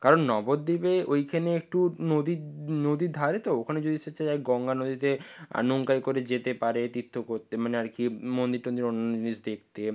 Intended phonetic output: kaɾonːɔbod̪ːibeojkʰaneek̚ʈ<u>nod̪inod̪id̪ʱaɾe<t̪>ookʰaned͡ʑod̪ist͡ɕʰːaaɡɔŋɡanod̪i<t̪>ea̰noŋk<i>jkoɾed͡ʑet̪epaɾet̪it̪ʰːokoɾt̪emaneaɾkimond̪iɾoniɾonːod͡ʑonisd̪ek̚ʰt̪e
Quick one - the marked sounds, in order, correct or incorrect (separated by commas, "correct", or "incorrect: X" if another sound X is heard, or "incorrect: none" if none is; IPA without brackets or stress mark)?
correct, correct, correct, incorrect: a